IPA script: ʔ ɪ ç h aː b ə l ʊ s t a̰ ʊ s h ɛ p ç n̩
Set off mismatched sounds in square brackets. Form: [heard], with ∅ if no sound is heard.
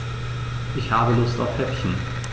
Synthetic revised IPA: ʔ ɪ ç h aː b ə l ʊ s t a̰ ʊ [f] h ɛ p ç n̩